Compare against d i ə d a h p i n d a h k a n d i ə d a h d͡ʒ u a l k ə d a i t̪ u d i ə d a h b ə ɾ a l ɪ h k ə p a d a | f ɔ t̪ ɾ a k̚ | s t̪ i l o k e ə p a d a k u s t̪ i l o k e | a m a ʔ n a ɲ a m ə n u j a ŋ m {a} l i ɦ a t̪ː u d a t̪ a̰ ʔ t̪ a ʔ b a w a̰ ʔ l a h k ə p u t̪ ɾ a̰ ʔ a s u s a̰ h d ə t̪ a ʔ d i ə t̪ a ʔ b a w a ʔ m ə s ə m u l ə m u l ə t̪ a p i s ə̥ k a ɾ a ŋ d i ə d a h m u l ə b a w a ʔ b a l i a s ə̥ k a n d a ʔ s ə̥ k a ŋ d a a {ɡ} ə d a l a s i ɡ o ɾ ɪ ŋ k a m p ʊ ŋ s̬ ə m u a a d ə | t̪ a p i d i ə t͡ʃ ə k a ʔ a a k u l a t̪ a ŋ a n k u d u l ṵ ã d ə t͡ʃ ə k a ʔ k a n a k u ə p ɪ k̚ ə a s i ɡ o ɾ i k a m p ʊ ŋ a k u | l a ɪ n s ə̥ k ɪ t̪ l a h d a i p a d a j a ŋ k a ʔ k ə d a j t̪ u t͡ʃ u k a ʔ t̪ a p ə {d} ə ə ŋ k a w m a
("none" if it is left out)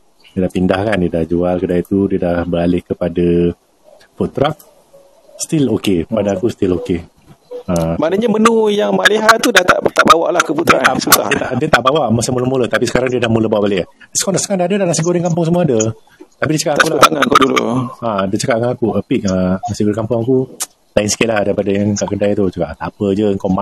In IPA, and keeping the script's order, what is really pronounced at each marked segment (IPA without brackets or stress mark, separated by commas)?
a, d, d͡ʒ